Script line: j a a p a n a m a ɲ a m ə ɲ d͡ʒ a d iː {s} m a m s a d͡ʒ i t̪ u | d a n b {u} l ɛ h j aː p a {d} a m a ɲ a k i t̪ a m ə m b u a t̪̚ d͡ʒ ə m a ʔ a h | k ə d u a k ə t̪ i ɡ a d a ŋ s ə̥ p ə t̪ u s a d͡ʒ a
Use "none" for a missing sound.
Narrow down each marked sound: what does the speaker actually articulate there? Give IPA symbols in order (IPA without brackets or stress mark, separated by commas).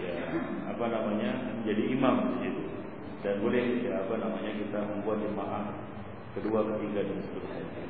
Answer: none, o, n